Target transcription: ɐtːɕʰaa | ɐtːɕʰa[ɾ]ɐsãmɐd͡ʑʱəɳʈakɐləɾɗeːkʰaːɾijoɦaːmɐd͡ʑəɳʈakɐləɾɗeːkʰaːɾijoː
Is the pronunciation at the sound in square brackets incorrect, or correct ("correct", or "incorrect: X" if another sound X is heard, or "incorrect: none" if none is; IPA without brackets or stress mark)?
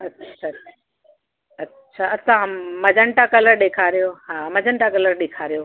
incorrect: none